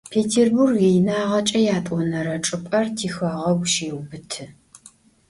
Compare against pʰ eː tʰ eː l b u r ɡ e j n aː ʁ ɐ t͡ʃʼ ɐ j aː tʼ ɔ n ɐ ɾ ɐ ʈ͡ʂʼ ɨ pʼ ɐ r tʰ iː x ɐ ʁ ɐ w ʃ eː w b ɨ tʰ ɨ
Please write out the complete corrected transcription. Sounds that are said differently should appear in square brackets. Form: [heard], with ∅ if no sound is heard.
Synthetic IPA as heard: pʰ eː tʰ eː [r] b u r ɡ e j n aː ʁ ɐ t͡ʃʼ ɐ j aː tʼ ɔ n ɐ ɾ ɐ ʈ͡ʂʼ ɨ pʼ ɐ r tʰ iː x ɐ ʁ ɐ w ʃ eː w b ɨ tʰ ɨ